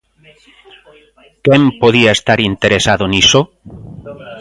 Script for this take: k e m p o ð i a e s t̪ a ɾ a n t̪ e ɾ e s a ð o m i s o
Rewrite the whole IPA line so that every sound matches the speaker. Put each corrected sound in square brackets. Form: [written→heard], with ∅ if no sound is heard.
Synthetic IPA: k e m p o ð i a e s t̪ a ɾ [a→i] n t̪ e ɾ e s a ð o [m→n] i s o